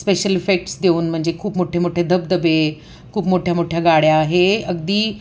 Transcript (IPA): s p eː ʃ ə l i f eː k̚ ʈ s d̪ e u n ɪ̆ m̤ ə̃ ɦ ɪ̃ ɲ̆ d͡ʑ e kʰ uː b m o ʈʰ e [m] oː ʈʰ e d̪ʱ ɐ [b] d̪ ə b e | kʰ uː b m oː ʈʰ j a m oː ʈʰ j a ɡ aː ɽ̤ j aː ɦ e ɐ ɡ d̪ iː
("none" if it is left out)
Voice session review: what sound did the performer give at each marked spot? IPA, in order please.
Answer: m, b

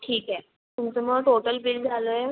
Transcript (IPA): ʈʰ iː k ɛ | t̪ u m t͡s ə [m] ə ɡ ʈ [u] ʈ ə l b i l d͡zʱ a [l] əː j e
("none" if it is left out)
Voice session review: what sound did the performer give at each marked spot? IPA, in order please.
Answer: m, o, l

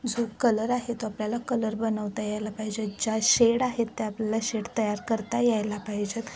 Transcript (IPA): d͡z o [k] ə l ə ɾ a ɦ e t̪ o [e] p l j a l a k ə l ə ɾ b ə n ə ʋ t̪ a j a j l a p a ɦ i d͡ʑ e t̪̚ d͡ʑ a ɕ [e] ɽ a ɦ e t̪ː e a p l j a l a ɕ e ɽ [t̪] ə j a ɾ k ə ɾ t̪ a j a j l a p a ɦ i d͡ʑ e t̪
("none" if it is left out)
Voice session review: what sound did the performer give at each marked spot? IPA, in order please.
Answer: k, a, e, t̪

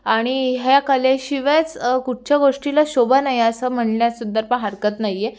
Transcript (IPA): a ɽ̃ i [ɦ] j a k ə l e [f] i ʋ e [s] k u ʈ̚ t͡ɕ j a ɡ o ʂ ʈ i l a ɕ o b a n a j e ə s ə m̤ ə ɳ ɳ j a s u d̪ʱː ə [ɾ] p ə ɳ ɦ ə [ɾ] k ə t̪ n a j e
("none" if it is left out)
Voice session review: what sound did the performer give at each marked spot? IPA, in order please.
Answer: ɦ, ɕ, t͡s, ɾ, ɾ

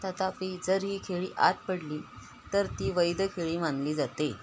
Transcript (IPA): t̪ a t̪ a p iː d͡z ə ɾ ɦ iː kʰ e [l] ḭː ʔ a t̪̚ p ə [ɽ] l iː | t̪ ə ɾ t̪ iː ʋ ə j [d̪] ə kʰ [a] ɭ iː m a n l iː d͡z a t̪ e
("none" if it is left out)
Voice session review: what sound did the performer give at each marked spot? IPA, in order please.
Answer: ɭ, ɽ, d̪, e

